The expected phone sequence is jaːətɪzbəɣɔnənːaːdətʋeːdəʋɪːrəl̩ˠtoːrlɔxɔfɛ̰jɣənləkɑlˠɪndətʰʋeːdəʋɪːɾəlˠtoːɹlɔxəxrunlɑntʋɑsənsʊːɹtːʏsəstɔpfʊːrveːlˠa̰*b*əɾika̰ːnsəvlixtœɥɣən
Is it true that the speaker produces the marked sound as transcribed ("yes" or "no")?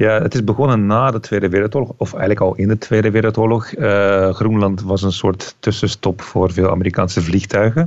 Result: no